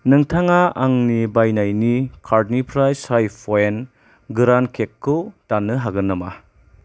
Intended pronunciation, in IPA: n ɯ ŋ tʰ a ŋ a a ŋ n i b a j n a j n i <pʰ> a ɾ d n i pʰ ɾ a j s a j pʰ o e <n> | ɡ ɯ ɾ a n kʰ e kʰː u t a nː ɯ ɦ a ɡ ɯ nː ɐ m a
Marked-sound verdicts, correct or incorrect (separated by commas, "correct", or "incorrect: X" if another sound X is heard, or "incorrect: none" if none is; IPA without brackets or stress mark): incorrect: kʰ, correct